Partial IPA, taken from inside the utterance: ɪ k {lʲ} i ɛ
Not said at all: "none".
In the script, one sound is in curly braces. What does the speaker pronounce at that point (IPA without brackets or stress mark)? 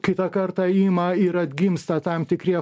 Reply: ɾʲ